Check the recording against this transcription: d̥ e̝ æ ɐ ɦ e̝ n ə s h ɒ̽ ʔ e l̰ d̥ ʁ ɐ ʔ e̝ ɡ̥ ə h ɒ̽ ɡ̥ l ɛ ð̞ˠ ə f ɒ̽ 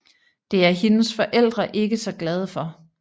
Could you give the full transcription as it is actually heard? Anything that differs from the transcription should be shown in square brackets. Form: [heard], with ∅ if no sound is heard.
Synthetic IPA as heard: d̥ e̝ æ ɐ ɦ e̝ n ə s [f] ɒ̽ ʔ e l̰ d̥ ʁ ɐ ʔ e̝ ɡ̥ ə [s] ɒ̽ ɡ̥ l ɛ ð̞ˠ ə f ɒ̽